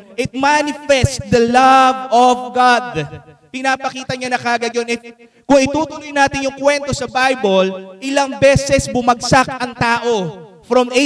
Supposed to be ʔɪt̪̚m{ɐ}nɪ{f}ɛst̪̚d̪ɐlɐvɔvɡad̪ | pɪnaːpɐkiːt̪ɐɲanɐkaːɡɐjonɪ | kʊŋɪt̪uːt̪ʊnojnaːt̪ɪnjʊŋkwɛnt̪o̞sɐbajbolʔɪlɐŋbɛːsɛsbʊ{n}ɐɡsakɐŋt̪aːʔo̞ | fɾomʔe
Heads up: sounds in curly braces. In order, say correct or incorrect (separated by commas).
incorrect, correct, incorrect